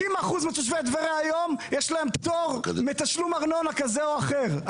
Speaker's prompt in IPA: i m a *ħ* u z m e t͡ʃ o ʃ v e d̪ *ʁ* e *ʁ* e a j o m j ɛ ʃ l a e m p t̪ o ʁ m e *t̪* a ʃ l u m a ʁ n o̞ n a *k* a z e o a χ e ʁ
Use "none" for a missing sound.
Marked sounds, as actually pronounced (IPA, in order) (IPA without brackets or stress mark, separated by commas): χ, v, ʁ, t̪, k